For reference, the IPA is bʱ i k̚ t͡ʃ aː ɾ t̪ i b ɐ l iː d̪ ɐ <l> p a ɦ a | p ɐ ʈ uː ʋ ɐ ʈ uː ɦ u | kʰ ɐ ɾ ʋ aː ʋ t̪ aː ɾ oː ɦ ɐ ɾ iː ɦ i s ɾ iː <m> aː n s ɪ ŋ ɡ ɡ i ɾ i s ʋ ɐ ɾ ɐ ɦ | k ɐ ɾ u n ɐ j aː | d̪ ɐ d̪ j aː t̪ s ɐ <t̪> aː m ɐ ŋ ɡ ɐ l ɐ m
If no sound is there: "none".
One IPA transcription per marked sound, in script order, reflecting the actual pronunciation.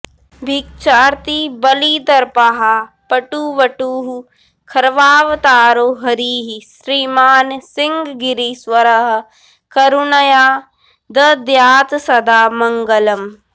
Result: ɾ, m, d̪

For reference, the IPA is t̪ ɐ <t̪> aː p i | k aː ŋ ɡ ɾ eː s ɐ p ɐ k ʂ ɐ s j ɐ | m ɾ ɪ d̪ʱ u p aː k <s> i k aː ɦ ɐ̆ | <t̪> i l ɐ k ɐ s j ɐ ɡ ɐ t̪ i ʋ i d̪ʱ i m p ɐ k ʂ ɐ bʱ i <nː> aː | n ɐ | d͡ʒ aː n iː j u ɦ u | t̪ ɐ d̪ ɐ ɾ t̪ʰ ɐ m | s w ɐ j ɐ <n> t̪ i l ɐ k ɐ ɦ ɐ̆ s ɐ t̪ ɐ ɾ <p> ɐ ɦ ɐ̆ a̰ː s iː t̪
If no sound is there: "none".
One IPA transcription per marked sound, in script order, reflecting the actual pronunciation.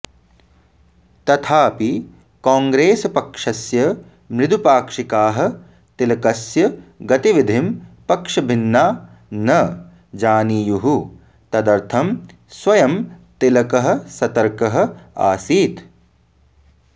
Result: t̪ʰ, ʂ, t̪, nː, m, k

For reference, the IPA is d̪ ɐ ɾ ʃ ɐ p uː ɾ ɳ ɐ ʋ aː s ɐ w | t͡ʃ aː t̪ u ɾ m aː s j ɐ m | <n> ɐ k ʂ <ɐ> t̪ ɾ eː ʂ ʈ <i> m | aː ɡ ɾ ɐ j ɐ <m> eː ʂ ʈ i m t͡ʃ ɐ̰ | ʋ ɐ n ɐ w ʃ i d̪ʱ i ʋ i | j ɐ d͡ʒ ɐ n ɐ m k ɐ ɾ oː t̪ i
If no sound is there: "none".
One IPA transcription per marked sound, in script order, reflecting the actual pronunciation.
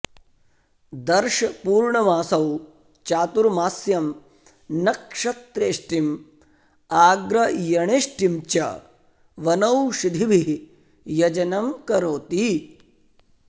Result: n, ɐ, i, ɳ

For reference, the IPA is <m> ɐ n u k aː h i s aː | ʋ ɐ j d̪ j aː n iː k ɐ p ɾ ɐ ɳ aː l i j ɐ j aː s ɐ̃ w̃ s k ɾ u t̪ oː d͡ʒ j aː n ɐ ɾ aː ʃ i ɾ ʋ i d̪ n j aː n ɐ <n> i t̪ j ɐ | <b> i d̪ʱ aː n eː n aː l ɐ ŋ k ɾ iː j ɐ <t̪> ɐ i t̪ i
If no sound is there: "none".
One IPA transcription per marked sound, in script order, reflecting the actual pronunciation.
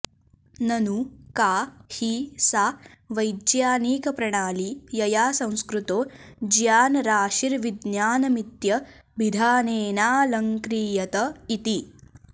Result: n, m, b, t̪

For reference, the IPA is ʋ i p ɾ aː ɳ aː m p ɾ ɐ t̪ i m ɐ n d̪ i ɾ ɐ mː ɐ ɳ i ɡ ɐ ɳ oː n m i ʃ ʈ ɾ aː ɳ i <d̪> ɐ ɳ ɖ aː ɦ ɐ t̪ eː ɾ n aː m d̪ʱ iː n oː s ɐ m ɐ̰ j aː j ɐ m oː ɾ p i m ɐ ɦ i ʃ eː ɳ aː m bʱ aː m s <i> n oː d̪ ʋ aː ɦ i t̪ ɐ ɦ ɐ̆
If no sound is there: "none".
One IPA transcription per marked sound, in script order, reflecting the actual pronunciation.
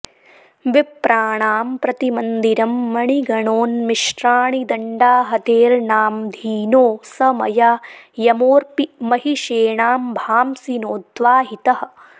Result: d̪, i

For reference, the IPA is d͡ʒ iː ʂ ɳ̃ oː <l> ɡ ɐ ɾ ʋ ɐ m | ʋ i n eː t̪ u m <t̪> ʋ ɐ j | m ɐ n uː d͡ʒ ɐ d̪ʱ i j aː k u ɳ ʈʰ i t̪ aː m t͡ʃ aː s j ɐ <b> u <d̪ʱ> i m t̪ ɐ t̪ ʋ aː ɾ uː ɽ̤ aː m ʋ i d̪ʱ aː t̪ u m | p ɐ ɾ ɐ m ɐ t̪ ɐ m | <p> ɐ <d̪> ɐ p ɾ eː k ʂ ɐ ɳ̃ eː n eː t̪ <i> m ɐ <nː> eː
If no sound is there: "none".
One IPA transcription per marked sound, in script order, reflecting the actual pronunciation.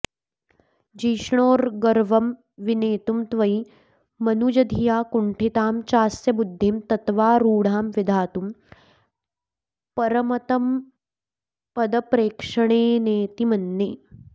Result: ɾ, t̪, b, d̪ʱː, p, d̪, i, nː

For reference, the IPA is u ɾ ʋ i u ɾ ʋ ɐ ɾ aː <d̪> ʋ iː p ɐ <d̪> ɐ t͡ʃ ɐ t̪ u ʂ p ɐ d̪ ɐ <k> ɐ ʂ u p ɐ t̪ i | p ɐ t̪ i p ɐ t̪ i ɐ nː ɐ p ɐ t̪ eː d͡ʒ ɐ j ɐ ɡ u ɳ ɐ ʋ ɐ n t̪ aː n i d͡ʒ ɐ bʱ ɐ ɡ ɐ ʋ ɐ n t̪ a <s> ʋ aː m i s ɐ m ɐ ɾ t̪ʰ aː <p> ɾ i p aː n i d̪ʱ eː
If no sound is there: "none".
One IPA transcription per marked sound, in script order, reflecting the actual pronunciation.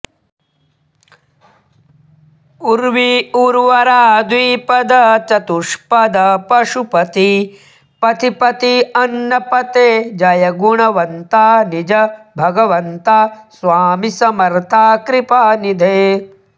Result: d̪, d̪, p, s, k

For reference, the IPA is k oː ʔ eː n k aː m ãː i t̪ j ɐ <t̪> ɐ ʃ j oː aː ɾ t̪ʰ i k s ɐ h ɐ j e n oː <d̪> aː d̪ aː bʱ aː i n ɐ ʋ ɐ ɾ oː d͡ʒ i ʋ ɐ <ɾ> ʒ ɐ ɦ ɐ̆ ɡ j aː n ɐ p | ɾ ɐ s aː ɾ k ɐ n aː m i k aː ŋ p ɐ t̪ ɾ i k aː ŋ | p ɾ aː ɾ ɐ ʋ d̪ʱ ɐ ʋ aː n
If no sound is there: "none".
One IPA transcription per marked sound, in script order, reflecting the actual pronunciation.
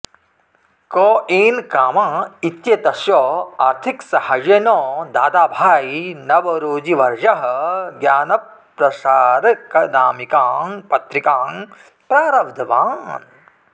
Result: t̪, d̪, ɾ

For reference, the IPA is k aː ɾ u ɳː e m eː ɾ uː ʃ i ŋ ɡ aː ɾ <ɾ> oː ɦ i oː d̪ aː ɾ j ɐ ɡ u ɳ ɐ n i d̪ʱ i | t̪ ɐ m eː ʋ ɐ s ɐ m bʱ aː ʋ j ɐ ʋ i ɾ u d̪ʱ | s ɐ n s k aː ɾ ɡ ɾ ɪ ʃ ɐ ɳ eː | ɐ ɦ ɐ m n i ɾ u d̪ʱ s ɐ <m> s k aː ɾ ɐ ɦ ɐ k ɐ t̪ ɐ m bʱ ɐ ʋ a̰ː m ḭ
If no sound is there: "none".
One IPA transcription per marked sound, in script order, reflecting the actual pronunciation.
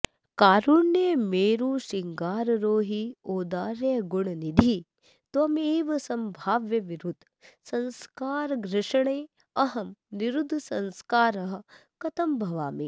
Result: ɾ, n

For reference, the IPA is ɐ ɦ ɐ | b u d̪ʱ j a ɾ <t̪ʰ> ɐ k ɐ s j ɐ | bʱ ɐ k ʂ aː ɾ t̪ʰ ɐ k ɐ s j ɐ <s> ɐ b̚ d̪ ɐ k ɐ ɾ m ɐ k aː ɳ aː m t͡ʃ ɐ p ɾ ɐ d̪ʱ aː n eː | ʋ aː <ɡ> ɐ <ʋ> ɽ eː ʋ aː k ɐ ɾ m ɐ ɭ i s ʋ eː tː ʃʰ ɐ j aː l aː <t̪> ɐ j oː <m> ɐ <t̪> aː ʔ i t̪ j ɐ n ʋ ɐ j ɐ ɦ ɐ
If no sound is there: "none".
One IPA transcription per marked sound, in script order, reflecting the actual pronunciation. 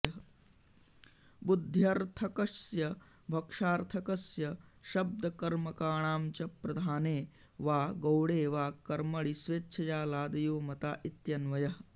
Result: t̪ʰ, ʃ, ɡ, w, d̪, m, t̪

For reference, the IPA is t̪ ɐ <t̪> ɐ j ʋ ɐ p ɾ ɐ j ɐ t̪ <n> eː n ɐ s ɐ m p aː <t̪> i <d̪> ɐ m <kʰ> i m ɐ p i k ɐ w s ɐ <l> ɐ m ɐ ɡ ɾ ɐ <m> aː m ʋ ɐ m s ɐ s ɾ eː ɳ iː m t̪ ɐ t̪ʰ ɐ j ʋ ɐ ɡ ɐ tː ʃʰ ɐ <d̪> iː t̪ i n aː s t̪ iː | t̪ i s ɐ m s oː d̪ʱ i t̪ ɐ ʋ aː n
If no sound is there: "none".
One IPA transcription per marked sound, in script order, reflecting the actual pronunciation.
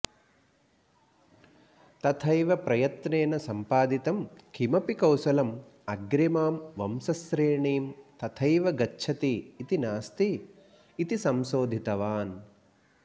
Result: t̪ʰ, n, d̪, t̪, kʰ, l, m, t̪

